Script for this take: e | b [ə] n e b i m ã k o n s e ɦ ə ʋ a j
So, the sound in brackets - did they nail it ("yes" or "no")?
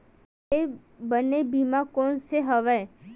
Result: yes